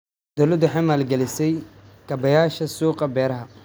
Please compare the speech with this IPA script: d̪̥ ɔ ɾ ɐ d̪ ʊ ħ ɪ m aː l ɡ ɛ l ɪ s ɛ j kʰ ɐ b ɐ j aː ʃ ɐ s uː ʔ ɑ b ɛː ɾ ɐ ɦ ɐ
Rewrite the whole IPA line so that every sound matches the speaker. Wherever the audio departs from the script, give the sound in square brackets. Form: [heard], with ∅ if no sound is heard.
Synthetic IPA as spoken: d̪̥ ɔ [l] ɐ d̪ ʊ ħ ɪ m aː l ɡ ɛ l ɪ s ɛ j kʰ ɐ b ɐ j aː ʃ ɐ s uː [q] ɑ b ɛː ɾ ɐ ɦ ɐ

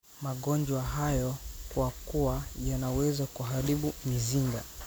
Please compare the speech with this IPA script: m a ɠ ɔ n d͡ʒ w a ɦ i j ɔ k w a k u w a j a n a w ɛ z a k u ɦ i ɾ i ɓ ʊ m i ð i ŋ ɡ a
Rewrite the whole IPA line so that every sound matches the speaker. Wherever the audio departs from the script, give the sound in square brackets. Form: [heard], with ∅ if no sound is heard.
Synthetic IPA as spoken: m a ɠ ɔ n d͡ʒ w a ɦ [a] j ɔ k w a k u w a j a n a w ɛ z a k u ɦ [a] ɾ i ɓ [u] m i [z] i ŋ ɡ a

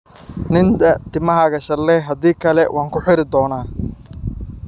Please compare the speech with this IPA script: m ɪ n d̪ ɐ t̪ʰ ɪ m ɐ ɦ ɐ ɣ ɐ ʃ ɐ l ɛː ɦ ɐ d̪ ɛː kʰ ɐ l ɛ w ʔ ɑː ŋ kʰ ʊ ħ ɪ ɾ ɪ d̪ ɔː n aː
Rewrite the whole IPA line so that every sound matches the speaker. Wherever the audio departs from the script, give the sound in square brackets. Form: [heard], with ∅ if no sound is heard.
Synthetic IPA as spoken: [n] ɪ n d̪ ɐ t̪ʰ ɪ m ɐ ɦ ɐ ɣ ɐ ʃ ɐ l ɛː ɦ ɐ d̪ [iː] kʰ ɐ l ɛ w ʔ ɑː ŋ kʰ ʊ ħ ɪ ɾ ɪ d̪ ɔː n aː

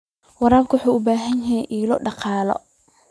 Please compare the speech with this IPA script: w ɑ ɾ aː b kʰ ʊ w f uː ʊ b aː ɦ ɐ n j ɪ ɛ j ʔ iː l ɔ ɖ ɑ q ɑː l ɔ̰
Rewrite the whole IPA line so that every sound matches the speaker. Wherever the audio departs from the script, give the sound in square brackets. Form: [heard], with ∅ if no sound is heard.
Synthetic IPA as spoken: w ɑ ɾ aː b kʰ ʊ w [ħ] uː ʊ b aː ɦ ɐ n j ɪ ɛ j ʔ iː l ɔ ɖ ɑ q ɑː l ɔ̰

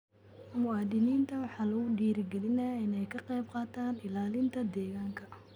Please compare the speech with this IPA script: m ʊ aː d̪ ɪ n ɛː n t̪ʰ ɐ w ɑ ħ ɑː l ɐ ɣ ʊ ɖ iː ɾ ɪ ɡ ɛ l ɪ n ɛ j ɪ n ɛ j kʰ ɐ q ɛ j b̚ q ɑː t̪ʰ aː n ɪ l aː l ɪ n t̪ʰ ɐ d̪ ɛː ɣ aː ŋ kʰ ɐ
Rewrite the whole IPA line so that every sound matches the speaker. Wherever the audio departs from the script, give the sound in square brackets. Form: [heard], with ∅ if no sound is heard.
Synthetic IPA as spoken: m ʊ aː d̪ ɪ n [iː] n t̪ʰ ɐ w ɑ ħ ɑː l ɐ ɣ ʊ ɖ iː ɾ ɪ ɡ ɛ l ɪ n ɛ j ɪ n ɛ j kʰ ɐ q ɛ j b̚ q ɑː t̪ʰ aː n ɪ l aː l ɪ n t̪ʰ ɐ d̪ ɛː ɣ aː ŋ kʰ ɐ

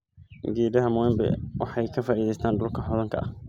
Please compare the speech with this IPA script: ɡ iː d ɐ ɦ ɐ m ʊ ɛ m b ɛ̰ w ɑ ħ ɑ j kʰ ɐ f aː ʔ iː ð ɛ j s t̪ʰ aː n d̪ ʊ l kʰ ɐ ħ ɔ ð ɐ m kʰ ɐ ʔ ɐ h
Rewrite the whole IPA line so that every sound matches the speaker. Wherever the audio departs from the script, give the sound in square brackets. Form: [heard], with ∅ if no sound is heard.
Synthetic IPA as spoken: ɡ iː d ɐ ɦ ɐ m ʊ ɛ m b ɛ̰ w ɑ ħ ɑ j kʰ ɐ f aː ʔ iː ð ɛ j s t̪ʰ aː n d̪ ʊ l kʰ ɐ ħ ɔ ð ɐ [ŋ] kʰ ɐ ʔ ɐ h

